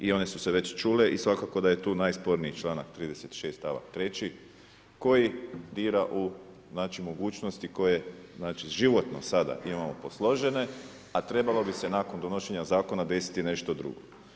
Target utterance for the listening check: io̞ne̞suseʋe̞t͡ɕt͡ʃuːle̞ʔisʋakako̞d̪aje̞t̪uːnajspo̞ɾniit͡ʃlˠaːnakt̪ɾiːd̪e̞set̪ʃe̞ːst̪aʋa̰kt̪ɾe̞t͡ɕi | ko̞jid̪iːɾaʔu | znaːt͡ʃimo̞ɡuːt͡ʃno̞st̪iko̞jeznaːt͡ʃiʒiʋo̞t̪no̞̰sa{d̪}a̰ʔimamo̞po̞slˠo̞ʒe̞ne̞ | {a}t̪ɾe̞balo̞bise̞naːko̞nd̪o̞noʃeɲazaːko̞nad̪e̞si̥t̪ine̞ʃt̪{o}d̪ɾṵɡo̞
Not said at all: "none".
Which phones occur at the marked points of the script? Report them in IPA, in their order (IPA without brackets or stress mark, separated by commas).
d̪, a, o